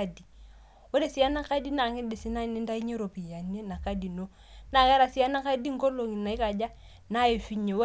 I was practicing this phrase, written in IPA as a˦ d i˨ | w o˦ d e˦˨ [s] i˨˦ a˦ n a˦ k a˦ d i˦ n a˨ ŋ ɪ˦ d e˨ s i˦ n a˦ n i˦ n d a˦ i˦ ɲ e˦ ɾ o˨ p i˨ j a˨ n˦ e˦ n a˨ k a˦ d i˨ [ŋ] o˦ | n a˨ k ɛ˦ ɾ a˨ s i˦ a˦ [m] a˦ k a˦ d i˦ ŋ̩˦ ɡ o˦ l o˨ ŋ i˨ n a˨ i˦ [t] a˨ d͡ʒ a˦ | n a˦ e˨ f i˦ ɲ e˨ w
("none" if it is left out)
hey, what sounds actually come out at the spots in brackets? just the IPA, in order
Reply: s, n, n, k

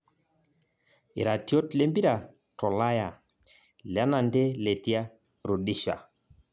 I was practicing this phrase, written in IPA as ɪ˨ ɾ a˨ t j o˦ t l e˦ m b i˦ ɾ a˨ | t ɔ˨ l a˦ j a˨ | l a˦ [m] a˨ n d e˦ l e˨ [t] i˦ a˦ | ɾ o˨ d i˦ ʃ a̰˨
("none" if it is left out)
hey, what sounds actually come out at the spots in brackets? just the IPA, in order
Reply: n, t

